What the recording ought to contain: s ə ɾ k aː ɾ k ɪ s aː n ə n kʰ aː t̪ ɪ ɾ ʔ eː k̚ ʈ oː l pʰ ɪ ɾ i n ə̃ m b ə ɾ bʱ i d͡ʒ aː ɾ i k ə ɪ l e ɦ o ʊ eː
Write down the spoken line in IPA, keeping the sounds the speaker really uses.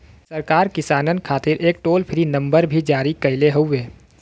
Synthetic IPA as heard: s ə ɾ k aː ɾ k ɪ s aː n ə n kʰ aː t̪ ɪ ɾ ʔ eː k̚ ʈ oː l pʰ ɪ ɾ i n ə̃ m b ə ɾ bʱ i d͡ʒ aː ɾ i k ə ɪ l e ɦ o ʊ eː